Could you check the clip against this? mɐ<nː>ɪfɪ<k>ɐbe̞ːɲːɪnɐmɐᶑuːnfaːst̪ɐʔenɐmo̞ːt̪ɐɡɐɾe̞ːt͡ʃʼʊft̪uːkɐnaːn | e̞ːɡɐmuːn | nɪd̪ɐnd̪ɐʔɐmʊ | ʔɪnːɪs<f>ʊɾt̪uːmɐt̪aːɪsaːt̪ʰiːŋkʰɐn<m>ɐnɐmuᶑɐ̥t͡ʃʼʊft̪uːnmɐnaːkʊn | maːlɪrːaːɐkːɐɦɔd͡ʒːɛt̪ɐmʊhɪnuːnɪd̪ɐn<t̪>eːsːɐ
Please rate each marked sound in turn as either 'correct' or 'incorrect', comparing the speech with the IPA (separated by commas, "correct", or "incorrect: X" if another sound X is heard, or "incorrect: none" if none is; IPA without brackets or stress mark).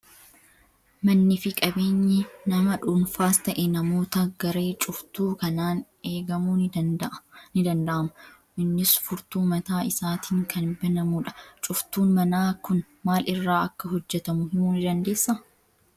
correct, incorrect: kʼ, correct, incorrect: b, incorrect: d̪